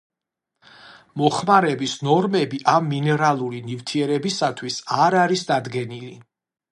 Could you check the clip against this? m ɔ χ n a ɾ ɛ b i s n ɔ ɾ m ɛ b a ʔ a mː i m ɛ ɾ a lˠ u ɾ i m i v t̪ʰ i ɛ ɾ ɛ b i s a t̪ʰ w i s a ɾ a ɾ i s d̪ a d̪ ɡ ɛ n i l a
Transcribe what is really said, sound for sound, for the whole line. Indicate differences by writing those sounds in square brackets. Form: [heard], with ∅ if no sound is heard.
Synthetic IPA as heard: m ɔ χ [m] a ɾ ɛ b i s n ɔ ɾ m ɛ b [i] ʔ a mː i [n] ɛ ɾ a lˠ u ɾ i [n] i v t̪ʰ i ɛ ɾ ɛ b i s a t̪ʰ w i s a ɾ a ɾ i s d̪ a d̪ ɡ ɛ n i l [i]